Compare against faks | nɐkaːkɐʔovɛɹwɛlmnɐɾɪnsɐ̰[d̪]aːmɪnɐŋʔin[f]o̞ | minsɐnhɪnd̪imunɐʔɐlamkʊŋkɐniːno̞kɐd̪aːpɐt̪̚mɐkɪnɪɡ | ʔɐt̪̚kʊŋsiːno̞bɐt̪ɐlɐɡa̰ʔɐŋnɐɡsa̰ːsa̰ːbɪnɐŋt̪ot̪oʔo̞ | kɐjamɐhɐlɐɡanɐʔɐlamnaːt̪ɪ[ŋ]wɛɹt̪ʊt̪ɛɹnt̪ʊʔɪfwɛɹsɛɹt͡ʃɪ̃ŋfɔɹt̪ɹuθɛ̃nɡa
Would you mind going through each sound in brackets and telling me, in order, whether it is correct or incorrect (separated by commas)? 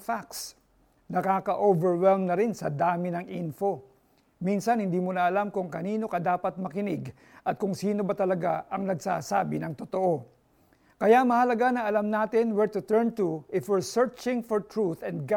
correct, correct, incorrect